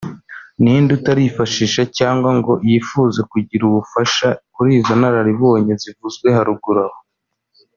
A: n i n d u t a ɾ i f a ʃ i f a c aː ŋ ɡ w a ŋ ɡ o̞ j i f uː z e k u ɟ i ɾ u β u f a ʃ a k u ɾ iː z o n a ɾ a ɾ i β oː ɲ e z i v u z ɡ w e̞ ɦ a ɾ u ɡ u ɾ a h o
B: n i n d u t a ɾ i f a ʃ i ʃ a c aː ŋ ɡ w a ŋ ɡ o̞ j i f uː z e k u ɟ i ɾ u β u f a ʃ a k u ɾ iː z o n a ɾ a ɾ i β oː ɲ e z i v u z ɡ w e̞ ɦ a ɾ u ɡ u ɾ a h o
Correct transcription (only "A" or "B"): B